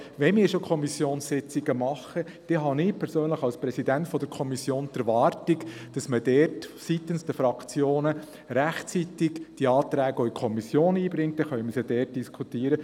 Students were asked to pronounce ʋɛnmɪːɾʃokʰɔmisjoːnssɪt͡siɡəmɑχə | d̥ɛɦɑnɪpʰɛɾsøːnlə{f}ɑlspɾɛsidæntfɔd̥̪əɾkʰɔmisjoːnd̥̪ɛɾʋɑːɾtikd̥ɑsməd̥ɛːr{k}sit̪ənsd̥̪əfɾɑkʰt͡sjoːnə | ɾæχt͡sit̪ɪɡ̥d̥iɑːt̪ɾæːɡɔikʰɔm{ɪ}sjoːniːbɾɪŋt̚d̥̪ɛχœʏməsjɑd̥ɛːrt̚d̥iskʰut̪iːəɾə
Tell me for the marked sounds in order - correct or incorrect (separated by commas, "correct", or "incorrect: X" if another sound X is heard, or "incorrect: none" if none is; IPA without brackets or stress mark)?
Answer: incorrect: χ, incorrect: t, incorrect: i